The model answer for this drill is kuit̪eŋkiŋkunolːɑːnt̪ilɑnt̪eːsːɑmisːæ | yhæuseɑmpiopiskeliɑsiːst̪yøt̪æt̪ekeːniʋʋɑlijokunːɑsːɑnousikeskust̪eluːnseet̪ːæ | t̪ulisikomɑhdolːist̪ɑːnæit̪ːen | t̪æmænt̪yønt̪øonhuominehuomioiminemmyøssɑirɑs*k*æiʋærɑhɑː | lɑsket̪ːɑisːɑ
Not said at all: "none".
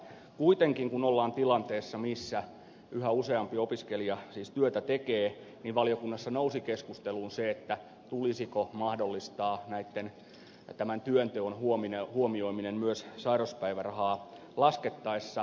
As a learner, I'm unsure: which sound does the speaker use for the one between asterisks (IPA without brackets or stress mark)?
p